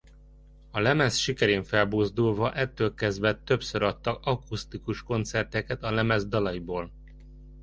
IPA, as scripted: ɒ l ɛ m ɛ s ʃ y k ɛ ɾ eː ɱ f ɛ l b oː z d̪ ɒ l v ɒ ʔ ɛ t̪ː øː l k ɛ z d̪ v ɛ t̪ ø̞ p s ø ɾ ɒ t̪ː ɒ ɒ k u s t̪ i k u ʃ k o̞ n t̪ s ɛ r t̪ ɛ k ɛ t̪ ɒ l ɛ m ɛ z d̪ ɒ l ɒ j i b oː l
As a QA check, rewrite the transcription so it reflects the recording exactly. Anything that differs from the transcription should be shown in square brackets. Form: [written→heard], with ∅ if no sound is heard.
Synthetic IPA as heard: ɒ l ɛ m ɛ s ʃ [y→i] k ɛ ɾ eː ɱ f ɛ l b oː z d̪ [ɒ→u] l v ɒ ʔ ɛ t̪ː øː l k ɛ z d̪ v ɛ t̪ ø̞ p s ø ɾ ɒ t̪ː ɒ ɒ k u s t̪ i k u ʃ k o̞ n t̪ s ɛ r t̪ ɛ k ɛ t̪ ɒ l ɛ m ɛ z d̪ ɒ l ɒ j i b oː l